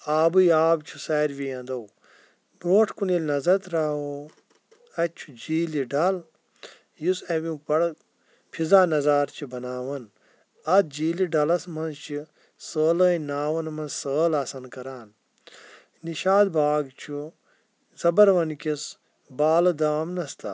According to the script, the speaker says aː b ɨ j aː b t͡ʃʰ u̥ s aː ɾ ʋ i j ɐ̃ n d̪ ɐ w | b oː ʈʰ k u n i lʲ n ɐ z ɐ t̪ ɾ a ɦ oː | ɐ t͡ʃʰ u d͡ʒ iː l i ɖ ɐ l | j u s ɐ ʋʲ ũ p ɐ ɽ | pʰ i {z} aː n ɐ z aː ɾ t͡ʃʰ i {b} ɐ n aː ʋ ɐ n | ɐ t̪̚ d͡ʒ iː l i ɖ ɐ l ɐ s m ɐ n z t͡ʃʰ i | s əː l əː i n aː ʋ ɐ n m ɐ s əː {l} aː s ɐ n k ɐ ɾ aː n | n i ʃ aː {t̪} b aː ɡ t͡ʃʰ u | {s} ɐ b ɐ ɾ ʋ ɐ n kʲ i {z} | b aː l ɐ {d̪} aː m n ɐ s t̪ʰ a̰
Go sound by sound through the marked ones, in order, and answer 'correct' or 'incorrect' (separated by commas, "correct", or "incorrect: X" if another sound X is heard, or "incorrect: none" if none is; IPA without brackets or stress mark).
correct, correct, correct, incorrect: d̪, incorrect: z, incorrect: s, correct